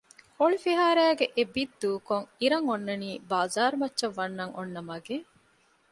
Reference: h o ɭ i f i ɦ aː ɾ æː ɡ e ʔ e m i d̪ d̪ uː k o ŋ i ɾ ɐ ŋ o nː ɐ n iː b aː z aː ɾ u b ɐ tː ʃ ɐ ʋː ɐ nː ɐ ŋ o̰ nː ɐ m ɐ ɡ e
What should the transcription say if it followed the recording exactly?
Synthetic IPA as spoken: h o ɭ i f i ɦ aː ɾ æː ɡ e ʔ e b i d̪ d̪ uː k o ŋ i ɾ ɐ ŋ o nː ɐ n iː b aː z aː ɾ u m ɐ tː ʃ ɐ ʋː ɐ nː ɐ ŋ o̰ nː ɐ m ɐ ɡ e